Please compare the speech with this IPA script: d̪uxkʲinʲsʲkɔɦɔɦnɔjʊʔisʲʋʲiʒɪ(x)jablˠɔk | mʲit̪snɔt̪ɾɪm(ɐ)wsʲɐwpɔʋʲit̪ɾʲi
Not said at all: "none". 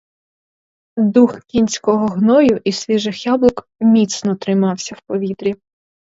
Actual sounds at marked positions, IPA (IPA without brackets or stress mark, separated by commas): x, ɑ